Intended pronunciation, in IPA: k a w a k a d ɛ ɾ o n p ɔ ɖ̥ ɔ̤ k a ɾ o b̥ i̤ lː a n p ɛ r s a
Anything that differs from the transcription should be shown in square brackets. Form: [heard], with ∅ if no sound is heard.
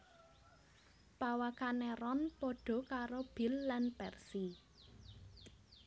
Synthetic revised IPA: [p] a w a k a [n] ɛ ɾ [ɔ] n p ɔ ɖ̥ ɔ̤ k a ɾ o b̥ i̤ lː a n p ɛ r s [i]